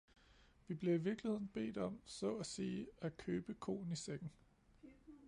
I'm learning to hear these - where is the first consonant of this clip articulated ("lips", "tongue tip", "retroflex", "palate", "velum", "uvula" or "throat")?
lips